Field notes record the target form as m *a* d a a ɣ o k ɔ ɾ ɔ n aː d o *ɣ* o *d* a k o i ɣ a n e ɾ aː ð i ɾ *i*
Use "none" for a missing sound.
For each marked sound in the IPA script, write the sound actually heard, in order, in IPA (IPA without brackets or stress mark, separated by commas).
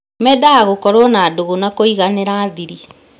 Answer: ɛ, ɣ, n, i